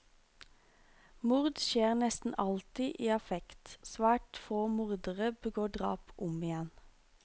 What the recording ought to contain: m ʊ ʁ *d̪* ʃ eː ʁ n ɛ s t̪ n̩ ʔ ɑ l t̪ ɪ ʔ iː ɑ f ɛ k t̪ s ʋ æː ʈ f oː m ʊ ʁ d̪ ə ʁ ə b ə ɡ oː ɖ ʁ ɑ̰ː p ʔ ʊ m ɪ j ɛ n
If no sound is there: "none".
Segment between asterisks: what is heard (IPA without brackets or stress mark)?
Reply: d̪